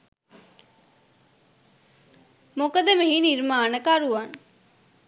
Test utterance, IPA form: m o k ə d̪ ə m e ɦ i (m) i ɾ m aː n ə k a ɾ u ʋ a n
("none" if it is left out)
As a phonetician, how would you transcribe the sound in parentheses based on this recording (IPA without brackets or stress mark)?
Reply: n